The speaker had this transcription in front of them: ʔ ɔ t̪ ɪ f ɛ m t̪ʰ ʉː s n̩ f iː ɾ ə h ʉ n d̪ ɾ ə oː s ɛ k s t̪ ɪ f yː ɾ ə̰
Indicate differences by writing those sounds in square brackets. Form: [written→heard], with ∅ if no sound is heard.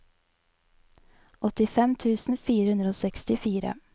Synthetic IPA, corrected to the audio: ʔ ɔ t̪ ɪ f ɛ m t̪ʰ ʉː s n̩ f iː ɾ ə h ʉ n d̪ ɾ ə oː s ɛ k s t̪ ɪ f [yː→iː] ɾ ə̰